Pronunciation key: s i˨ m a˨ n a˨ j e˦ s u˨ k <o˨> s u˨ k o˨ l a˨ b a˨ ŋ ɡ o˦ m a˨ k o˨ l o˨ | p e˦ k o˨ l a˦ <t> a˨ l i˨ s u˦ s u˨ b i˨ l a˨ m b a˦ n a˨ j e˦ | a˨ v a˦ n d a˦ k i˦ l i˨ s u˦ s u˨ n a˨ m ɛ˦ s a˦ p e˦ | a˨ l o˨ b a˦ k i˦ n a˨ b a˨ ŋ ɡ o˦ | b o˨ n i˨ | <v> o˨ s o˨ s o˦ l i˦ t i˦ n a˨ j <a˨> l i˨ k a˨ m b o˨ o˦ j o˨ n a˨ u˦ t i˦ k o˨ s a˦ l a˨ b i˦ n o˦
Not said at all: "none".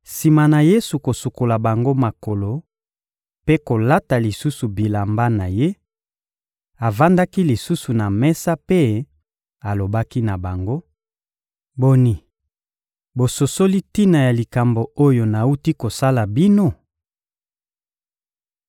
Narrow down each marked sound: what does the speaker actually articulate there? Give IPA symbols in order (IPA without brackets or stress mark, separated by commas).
o˨, t, b, a˨